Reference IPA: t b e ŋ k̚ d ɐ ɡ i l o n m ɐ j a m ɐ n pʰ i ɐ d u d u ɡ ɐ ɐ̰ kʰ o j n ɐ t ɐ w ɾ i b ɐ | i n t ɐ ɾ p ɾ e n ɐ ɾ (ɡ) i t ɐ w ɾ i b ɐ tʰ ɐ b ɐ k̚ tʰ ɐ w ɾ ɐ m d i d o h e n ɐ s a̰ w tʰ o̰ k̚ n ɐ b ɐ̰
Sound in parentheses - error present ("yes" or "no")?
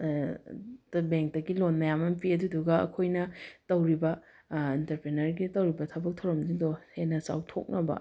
no